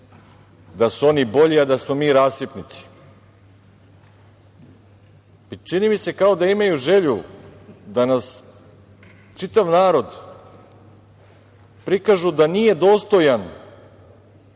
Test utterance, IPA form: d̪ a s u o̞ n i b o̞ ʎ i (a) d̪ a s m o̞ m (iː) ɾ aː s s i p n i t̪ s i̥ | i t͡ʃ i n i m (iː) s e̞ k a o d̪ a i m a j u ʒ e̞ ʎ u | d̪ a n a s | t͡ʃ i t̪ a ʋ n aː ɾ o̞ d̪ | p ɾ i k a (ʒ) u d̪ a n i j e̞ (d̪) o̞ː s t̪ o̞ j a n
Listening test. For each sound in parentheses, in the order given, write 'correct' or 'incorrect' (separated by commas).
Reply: correct, correct, incorrect, correct, correct